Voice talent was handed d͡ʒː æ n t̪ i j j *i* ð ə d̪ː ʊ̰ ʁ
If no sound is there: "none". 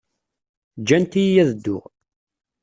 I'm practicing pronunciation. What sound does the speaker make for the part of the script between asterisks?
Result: æ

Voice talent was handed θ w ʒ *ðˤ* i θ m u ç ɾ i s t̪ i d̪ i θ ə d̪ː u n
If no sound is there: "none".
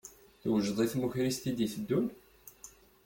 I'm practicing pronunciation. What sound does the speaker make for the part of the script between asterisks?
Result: ðˤ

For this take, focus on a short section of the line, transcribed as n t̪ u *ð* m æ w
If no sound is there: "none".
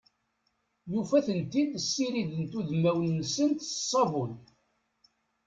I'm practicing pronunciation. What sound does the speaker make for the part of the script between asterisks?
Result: ð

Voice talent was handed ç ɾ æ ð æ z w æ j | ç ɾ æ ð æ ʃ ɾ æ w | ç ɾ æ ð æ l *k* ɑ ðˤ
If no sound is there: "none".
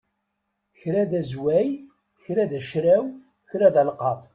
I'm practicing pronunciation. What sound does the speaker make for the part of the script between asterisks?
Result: q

